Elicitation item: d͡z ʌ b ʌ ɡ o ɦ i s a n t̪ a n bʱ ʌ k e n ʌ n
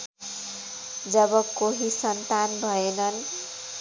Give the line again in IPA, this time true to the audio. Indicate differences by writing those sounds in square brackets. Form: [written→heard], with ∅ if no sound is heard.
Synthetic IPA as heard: d͡z ʌ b ʌ [ɡ→k] o ɦ i s [a→ʌ] n t̪ a n bʱ ʌ [k→∅] e n ʌ n